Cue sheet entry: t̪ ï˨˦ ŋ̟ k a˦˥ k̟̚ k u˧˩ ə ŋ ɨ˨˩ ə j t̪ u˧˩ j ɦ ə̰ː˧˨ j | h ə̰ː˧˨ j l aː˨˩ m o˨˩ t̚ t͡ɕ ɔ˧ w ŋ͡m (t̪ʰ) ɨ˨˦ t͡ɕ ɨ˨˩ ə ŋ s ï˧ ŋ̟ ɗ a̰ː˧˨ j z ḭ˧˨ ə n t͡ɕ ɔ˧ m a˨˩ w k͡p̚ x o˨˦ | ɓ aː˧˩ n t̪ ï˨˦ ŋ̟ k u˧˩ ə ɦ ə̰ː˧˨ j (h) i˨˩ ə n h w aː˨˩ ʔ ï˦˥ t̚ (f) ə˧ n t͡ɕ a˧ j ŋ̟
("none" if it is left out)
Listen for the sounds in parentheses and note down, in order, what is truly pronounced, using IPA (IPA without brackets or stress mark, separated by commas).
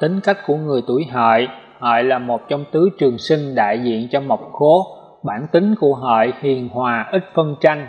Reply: t̪, h, f